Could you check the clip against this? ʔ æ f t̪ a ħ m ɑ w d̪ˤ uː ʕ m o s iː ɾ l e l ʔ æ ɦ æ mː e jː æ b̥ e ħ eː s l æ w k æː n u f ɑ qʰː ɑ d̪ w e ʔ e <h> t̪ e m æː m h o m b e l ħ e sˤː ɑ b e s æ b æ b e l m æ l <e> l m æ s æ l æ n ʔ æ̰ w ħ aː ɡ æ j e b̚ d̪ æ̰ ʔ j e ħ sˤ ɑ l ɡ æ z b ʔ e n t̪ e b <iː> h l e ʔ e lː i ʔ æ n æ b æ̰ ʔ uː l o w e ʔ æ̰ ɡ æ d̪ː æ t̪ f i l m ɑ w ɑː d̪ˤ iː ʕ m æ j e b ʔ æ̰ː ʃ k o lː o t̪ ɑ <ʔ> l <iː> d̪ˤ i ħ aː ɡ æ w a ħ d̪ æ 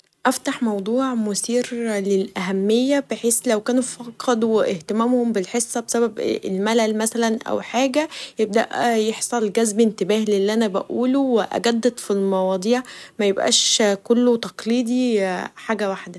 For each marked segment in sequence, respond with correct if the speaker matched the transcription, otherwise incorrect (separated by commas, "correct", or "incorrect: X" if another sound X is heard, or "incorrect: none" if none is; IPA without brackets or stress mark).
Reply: correct, incorrect: æ, incorrect: æː, incorrect: q, correct